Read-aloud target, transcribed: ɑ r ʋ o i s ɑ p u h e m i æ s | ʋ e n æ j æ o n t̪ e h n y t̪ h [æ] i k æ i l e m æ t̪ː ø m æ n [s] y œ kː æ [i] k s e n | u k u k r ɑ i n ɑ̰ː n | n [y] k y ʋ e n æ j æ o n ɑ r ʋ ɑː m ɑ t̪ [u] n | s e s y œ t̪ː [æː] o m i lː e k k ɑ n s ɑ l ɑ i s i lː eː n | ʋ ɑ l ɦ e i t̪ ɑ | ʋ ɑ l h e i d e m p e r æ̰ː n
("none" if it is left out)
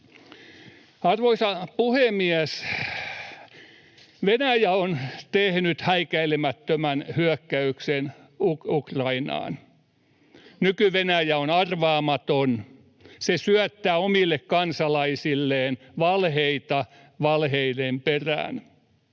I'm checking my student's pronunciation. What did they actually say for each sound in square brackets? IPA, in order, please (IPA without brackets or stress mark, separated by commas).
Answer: æ, h, y, y, o, æː